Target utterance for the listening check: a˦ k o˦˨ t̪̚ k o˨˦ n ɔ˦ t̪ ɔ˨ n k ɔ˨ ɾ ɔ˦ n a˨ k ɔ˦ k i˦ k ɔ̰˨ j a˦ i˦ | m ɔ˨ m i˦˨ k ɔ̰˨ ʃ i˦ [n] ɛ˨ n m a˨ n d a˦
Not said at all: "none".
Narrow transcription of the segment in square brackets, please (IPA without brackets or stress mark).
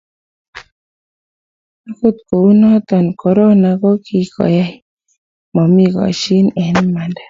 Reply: n